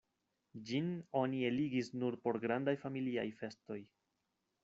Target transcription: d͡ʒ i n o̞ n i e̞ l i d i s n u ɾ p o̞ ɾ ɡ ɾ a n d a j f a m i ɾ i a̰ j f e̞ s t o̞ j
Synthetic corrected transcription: d͡ʒ i n o̞ n i e̞ l i ɡ i s n u ɾ p o̞ ɾ ɡ ɾ a n d a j f a m i l i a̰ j f e̞ s t o̞ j

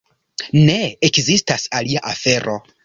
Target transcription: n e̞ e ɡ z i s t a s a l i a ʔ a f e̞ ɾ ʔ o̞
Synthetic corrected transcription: n e̞ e k z i s t a s a l i a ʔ a f e̞ ɾ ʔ o̞

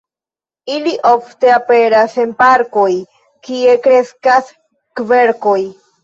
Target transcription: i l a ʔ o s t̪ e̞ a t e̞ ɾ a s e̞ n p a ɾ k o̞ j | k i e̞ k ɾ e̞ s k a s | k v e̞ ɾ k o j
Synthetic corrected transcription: i l i ʔ o f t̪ e̞ a p e̞ ɾ a s e̞ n p a ɾ k o̞ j | k i e̞ k ɾ e̞ s k a s | k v e̞ ɾ k o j

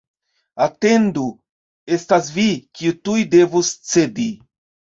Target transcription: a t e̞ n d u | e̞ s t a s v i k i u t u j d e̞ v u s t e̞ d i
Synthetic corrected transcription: a t e̞ n d u | e̞ s t a s v i k i u t u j d e̞ v u s t͡s e̞ d i

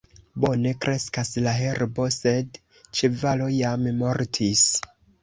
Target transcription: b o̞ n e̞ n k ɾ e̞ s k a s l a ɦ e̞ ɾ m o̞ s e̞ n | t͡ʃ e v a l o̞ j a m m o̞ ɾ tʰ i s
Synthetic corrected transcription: b o̞ n e̞ k ɾ e̞ s k a s l a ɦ e̞ ɾ b o̞ s e̞ d | t͡ʃ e v a l o̞ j a m m o̞ ɾ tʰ i s

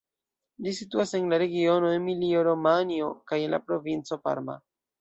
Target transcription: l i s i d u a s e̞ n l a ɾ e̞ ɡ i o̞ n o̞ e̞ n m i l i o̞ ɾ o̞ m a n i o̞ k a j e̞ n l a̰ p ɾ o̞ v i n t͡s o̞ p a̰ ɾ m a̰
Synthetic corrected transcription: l i s i t u a s e̞ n l a ɾ e̞ ɡ i o̞ n o̞ e̞ n m i l i o̞ ɾ o̞ m a n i o̞ k a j e̞ n l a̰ p ɾ o̞ v i n t͡s o̞ p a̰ ɾ m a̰

